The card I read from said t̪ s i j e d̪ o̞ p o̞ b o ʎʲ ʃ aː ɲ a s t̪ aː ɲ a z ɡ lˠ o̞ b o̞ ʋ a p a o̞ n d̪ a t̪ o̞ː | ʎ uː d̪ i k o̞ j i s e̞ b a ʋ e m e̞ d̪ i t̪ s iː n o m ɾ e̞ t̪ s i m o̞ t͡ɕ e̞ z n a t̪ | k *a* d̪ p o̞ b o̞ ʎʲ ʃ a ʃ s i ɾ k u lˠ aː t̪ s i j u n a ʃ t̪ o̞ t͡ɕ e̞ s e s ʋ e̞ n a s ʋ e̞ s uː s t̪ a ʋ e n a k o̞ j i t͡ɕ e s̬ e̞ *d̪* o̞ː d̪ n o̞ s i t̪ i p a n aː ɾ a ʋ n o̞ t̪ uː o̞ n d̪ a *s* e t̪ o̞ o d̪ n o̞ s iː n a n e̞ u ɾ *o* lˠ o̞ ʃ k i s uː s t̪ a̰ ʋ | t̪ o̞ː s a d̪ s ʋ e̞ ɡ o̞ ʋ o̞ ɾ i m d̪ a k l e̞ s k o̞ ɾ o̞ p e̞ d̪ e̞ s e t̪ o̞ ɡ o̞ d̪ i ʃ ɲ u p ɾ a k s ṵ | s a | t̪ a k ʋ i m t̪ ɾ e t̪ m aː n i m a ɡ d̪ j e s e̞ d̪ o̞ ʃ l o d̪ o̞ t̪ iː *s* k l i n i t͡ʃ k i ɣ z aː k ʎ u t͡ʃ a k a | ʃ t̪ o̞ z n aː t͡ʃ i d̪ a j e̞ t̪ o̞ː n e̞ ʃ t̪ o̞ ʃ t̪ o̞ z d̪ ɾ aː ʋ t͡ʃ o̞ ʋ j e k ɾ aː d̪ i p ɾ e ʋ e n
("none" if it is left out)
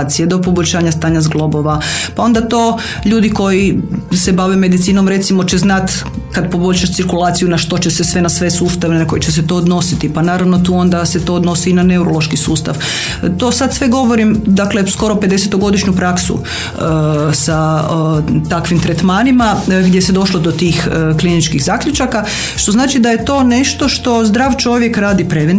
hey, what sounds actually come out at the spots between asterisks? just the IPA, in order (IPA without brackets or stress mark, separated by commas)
a, t̪, s, o, x